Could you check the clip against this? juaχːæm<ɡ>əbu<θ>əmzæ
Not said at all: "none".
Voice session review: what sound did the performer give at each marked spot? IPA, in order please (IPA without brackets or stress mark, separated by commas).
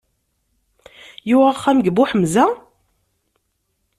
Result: ɡ, ħ